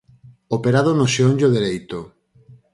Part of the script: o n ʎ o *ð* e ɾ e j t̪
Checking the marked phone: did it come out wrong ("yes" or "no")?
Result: no